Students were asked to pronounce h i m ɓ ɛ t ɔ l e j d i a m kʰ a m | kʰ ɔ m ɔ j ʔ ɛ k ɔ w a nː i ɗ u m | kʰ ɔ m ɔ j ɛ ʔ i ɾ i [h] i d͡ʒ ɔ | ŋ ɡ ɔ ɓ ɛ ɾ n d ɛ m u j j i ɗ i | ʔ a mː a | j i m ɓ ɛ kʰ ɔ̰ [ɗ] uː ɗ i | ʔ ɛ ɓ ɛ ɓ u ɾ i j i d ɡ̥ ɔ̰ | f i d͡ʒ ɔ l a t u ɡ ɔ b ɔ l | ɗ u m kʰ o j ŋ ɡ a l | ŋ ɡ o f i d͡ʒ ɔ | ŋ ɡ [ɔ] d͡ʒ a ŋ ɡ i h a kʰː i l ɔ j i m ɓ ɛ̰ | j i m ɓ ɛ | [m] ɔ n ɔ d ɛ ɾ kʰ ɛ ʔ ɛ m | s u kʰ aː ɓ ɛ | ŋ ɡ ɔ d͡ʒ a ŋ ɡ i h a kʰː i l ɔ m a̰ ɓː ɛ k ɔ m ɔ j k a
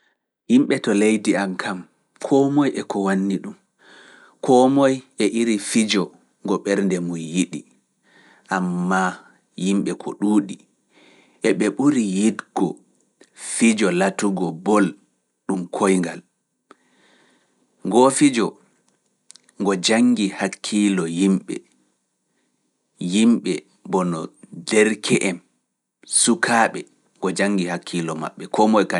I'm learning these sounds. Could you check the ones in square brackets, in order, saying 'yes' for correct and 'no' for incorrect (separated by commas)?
no, yes, yes, no